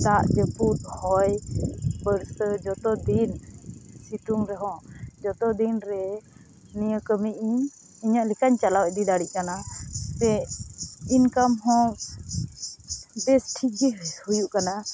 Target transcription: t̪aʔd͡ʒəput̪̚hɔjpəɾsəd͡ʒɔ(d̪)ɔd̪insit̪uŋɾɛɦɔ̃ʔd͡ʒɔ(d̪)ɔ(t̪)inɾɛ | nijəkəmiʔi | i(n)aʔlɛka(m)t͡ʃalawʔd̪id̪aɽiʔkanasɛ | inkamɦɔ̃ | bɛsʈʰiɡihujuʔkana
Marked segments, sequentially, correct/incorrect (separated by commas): incorrect, incorrect, incorrect, incorrect, incorrect